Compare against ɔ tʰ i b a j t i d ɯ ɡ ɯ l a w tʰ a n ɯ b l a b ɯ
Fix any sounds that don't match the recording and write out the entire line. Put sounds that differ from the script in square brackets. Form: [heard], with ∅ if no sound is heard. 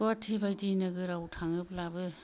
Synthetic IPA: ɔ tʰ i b a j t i [n] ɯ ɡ ɯ [ɾ] a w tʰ a [ŋ] ɯ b l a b ɯ